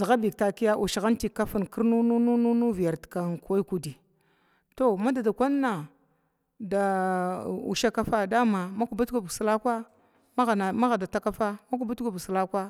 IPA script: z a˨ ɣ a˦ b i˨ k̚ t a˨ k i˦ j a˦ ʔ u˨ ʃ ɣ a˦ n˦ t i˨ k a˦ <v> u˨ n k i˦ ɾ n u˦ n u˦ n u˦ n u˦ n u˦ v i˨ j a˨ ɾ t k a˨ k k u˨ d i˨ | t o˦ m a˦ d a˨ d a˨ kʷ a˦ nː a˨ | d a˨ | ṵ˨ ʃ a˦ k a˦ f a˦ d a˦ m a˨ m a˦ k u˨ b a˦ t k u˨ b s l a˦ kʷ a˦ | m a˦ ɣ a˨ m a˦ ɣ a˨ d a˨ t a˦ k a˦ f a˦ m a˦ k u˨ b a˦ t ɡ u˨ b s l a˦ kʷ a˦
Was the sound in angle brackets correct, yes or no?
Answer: no